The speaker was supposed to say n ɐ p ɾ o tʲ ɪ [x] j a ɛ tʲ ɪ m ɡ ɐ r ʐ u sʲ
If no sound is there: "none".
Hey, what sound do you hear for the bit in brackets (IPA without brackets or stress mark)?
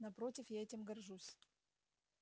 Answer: f